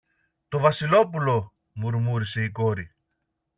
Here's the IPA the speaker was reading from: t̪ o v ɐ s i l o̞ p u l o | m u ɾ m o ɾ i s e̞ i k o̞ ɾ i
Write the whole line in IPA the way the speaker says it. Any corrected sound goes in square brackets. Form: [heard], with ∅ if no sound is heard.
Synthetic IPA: t̪ o v ɐ s i l o̞ p u l o | m u ɾ m [u] ɾ i s e̞ i k o̞ ɾ i